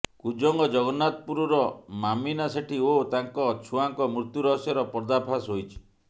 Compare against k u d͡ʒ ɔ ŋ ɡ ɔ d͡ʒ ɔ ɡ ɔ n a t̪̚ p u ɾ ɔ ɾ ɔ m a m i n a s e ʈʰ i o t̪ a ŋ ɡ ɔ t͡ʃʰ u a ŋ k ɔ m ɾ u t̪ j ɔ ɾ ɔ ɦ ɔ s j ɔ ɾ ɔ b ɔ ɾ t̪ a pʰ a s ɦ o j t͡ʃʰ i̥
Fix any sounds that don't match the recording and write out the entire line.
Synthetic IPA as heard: k u d͡ʒ ɔ ŋ ɡ ɔ d͡ʒ ɔ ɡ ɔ n a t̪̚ p u ɾ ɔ ɾ ɔ m a m i n a s e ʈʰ i o t̪ a ŋ k ɔ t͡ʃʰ u a ŋ k ɔ m ɾ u t̪ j u ɾ ɔ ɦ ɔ s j ɔ ɾ ɔ p ɔ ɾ d̪ a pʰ a s ɦ o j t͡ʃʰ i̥